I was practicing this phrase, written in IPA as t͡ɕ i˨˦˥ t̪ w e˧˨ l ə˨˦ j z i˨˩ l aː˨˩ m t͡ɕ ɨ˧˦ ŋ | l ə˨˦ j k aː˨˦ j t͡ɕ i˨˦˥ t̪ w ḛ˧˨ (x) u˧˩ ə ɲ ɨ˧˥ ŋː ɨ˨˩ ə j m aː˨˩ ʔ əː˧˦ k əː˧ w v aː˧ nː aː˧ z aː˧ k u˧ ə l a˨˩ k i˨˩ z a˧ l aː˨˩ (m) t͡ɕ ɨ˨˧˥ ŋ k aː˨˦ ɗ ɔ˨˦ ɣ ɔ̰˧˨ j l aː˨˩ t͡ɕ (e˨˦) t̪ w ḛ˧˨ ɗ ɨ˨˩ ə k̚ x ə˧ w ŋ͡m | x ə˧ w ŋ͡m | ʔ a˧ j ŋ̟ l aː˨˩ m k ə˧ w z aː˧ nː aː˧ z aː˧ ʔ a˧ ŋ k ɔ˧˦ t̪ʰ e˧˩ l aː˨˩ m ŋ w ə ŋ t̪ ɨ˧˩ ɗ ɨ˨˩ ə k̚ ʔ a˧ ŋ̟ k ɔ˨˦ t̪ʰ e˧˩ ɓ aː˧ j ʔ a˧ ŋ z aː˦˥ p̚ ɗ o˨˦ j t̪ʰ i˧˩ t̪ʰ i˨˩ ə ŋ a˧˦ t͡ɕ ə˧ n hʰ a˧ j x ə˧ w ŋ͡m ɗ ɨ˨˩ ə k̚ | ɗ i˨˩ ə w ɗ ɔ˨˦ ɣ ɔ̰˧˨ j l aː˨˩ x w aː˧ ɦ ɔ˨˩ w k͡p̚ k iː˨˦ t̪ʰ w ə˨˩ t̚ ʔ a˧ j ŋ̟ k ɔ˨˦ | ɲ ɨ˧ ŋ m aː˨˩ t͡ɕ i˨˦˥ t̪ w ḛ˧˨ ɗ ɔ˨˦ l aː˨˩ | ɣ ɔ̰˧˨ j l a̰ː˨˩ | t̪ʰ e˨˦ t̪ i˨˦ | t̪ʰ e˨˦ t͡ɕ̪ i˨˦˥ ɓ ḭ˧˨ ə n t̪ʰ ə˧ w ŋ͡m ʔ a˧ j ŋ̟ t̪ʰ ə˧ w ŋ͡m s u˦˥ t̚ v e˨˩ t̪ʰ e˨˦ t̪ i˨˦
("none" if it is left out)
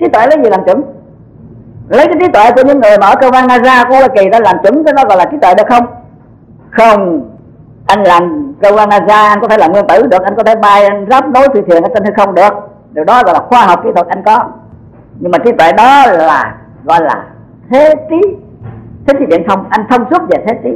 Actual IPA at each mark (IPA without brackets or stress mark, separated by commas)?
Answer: k, m, i˨˦